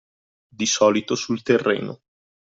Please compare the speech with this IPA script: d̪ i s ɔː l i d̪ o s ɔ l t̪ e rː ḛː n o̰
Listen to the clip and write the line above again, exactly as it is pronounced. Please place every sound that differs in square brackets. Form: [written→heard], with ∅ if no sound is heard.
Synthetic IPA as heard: d̪ i s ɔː l i [d̪→t̪] o s [ɔ→u] l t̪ e rː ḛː n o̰